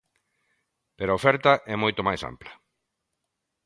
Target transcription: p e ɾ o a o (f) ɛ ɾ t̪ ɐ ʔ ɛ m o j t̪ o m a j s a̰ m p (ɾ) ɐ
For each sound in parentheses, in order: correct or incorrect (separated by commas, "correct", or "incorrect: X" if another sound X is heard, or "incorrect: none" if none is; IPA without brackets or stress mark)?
correct, incorrect: l